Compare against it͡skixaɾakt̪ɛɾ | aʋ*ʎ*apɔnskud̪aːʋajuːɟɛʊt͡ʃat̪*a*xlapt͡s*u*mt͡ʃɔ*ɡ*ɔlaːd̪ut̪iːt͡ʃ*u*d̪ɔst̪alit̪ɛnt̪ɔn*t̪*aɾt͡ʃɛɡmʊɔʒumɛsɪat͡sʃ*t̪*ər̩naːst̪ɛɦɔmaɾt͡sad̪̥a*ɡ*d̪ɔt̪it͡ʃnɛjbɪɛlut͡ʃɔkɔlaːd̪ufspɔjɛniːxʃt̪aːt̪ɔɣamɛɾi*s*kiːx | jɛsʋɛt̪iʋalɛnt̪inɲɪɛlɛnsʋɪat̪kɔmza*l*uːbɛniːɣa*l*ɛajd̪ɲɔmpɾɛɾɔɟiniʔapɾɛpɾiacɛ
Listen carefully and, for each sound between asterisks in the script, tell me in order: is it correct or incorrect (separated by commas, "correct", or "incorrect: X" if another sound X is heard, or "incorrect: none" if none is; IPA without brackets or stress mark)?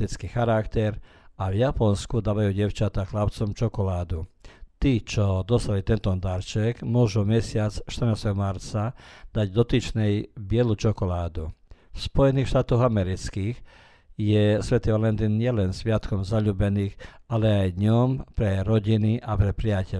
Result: incorrect: j, correct, incorrect: ɔ, incorrect: k, incorrect: ɔ, incorrect: d̪, correct, incorrect: ɟ, incorrect: t͡s, incorrect: ʎ, correct